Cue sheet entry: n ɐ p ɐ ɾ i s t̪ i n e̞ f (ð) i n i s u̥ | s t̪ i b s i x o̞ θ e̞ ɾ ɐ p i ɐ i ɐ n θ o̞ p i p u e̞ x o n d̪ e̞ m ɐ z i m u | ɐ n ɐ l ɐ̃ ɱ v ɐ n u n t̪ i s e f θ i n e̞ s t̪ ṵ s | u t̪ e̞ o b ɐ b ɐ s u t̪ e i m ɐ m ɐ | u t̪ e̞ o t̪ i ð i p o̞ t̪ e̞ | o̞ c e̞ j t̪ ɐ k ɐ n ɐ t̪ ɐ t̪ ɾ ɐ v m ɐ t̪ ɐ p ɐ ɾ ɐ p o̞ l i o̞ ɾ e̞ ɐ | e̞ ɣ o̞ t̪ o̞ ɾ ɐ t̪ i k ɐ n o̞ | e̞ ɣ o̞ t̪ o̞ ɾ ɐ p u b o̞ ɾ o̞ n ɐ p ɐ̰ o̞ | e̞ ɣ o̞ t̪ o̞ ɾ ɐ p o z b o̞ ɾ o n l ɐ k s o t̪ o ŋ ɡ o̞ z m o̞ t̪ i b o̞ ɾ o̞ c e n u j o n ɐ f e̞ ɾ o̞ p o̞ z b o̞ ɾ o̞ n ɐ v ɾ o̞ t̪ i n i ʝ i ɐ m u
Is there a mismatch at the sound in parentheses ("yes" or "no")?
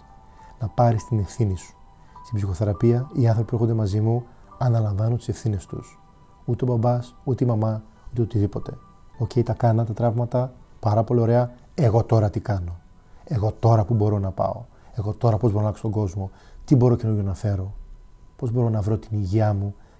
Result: yes